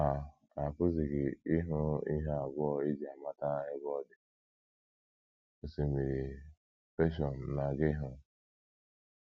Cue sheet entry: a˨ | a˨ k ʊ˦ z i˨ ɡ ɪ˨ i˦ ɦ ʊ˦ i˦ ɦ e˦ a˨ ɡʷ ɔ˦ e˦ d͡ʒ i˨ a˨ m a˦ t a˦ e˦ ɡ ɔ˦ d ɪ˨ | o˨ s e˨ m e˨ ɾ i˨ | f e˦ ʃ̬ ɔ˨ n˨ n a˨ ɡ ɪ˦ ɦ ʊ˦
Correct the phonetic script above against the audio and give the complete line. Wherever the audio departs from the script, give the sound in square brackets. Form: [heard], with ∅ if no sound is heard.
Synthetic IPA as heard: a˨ | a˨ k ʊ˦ z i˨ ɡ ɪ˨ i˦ ɦ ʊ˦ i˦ ɦ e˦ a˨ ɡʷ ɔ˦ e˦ d͡ʒ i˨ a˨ m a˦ t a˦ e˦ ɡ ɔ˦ d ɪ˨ | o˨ s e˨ m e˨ ɾ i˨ | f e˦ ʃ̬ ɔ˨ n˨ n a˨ ɡ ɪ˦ ɦ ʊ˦